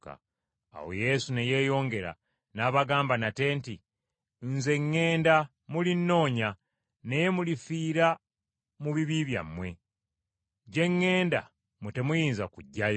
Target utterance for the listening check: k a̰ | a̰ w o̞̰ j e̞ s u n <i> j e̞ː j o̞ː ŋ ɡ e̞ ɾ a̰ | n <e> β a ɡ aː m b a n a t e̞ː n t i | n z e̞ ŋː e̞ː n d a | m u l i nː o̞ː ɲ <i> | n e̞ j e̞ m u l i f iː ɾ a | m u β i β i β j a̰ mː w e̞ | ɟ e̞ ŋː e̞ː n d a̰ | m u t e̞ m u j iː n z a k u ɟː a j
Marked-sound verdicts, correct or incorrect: incorrect: e, incorrect: a, incorrect: a

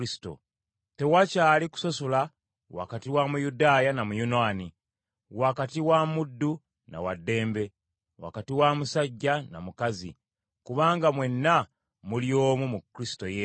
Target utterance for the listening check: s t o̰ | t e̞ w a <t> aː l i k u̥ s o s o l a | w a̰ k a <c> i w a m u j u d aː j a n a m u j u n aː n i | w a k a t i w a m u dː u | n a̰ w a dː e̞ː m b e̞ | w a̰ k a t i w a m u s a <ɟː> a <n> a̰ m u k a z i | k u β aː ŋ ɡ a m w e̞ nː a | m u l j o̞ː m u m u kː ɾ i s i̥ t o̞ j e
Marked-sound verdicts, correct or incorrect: incorrect: c, incorrect: t, correct, correct

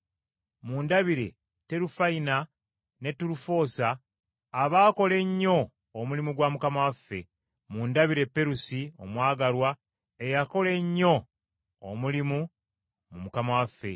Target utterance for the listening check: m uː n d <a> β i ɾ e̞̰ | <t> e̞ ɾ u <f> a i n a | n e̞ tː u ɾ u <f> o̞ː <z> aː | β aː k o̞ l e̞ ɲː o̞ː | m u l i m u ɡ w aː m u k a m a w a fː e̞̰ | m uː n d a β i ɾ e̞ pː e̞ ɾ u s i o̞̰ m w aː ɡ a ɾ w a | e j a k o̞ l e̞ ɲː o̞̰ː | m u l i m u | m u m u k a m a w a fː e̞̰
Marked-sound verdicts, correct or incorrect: correct, correct, correct, correct, incorrect: s

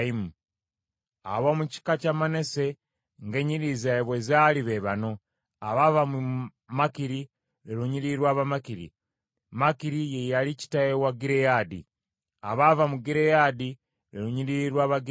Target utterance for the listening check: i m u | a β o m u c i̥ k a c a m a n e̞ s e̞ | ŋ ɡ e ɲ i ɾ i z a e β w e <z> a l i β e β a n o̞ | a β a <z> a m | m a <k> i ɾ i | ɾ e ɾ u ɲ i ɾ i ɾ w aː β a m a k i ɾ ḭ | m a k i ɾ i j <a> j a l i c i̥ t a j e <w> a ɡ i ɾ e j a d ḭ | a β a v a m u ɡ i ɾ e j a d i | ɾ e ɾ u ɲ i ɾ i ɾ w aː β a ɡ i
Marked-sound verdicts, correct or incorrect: correct, incorrect: v, correct, incorrect: e, correct

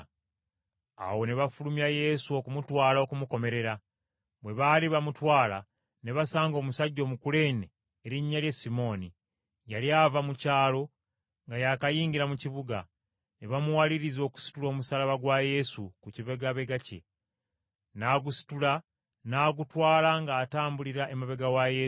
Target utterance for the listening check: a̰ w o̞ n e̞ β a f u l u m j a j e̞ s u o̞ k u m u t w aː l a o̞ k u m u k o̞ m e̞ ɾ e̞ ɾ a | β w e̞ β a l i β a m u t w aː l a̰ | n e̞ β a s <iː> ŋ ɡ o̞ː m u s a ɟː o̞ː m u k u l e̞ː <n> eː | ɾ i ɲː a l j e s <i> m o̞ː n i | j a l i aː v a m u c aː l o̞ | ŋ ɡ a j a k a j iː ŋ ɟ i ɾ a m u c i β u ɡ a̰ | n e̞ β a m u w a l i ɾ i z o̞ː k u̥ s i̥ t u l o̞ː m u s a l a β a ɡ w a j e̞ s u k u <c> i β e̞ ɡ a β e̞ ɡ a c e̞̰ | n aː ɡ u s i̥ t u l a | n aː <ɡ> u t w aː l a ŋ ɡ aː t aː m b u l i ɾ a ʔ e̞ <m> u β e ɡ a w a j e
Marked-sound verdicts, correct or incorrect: incorrect: aː, correct, correct, correct, correct, correct

